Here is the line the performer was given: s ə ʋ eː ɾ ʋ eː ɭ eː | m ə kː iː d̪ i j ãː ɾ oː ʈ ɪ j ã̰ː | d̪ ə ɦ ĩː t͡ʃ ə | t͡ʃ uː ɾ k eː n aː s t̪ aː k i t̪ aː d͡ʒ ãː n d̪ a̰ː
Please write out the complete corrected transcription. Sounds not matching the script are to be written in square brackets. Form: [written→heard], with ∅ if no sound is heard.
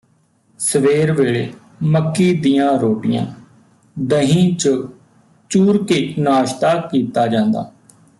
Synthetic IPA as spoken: s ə ʋ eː ɾ ʋ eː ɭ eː | m ə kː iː d̪ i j ãː ɾ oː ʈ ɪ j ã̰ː | d̪ ə ɦ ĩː t͡ʃ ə | t͡ʃ uː ɾ k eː n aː [s→ʃ] t̪ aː k [i→iː] t̪ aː d͡ʒ ãː n d̪ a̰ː